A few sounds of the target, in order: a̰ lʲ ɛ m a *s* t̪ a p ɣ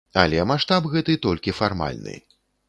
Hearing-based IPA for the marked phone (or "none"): ʂ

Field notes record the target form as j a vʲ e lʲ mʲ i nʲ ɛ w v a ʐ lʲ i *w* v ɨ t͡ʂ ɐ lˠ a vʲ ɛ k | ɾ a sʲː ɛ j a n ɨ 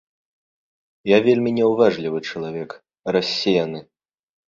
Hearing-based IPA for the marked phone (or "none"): none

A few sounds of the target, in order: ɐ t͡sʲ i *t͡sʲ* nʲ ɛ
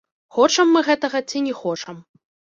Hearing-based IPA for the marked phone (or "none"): none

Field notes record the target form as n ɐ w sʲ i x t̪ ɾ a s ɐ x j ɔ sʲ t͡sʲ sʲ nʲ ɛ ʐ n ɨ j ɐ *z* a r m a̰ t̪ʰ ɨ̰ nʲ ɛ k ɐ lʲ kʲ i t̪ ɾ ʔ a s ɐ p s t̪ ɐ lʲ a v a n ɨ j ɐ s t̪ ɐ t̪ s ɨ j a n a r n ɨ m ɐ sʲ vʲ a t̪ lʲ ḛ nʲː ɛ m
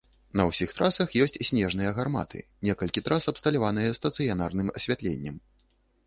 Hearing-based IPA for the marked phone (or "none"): ɣ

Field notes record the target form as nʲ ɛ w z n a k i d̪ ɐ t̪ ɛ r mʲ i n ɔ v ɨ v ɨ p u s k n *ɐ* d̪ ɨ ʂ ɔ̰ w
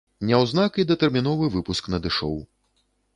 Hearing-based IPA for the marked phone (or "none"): ɐ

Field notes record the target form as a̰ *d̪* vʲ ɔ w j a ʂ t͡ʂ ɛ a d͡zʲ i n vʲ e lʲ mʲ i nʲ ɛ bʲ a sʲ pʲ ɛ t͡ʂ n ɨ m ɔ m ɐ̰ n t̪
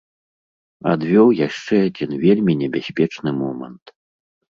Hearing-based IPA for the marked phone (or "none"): d̪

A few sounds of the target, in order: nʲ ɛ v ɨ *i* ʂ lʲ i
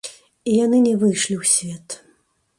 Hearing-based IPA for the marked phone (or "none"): j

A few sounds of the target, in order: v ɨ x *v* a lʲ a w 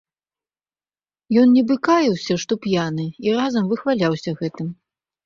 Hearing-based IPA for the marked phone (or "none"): v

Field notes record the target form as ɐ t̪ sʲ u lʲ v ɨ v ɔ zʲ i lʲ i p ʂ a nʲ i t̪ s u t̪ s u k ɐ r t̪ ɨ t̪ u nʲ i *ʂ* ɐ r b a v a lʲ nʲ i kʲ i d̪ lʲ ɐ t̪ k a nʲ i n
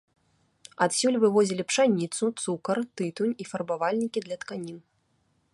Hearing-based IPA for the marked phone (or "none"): f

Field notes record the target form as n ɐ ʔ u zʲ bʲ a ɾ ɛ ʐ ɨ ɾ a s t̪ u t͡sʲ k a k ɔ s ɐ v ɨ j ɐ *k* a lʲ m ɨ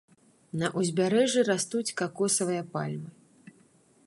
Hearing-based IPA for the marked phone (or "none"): p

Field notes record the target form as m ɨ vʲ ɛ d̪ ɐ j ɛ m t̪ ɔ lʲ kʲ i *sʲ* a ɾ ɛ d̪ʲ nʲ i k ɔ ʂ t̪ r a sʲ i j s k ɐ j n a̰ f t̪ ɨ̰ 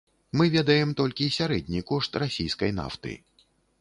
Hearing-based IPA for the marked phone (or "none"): sʲ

